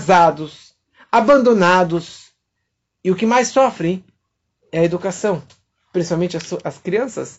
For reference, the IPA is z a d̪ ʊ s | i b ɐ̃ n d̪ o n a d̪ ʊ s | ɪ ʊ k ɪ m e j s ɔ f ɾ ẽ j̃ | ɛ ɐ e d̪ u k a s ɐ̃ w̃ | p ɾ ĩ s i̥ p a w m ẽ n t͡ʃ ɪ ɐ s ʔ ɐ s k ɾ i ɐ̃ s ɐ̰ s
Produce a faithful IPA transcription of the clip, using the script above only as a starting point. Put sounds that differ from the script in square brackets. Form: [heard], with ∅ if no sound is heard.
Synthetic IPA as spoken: z a d̪ ʊ s | [a] b ɐ̃ n d̪ o n a d̪ ʊ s | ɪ ʊ k ɪ m [a] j s ɔ f ɾ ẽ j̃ | ɛ ɐ e d̪ u k a s ɐ̃ w̃ | p ɾ ĩ s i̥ p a w m ẽ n t͡ʃ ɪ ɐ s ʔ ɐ s k ɾ i ɐ̃ s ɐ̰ s